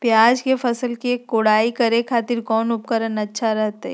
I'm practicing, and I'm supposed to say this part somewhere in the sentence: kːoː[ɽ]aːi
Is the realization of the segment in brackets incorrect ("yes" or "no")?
no